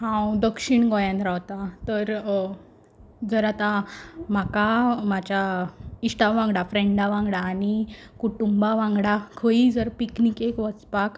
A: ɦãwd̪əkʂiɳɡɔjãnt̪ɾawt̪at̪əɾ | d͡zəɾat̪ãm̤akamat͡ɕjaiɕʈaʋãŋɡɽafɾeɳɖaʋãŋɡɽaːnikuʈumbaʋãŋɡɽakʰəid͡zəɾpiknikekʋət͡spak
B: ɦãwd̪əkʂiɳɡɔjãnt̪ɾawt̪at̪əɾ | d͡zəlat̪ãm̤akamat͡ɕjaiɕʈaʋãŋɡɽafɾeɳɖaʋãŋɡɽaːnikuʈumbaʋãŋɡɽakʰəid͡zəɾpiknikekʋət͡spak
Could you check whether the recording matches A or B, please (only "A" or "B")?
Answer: A